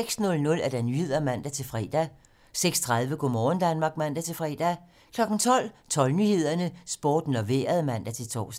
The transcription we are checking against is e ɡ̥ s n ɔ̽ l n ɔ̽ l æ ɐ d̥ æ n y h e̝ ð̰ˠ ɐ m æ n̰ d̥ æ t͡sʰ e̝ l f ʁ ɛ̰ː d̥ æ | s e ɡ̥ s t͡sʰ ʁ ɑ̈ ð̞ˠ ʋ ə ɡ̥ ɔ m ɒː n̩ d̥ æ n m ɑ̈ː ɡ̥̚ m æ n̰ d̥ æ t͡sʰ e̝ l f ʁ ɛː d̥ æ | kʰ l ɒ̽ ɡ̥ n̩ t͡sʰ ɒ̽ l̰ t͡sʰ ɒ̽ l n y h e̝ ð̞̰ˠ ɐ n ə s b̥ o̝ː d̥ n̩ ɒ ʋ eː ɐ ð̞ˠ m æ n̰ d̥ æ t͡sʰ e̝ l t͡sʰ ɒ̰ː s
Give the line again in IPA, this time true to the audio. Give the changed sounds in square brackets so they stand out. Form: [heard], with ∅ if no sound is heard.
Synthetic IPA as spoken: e ɡ̥ s n ɔ̽ l n ɔ̽ l æ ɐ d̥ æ n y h e̝ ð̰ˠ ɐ m æ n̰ d̥ æ t͡sʰ e̝ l f ʁ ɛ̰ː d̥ æ | s e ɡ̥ s t͡sʰ ʁ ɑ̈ ð̞ˠ ʋ ə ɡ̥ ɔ m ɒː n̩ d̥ æ n m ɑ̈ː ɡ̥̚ m æ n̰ d̥ æ t͡sʰ e̝ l f ʁ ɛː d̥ æ | kʰ l ɒ̽ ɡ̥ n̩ t͡sʰ ɒ̽ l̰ t͡sʰ ɒ̽ l n y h e̝ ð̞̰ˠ ɐ n ə s b̥ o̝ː d̥ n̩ ɒ ʋ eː ɐ ð̞ˠ m æ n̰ d̥ æ t͡sʰ e̝ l t͡sʰ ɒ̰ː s